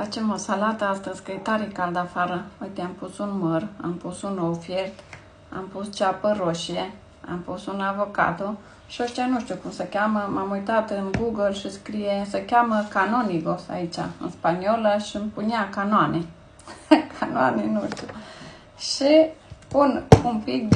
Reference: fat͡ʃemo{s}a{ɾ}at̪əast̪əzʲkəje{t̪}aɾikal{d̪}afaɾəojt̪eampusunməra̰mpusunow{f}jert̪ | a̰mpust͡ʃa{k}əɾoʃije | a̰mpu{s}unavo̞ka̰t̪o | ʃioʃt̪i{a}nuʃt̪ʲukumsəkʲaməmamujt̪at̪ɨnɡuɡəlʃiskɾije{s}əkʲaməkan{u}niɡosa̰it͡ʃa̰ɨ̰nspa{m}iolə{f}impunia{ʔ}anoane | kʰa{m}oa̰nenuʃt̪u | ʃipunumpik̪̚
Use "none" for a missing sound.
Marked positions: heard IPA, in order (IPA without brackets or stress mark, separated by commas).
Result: s, l, t̪, d̪, f, p, s, a, s, o, n, ʃ, k, n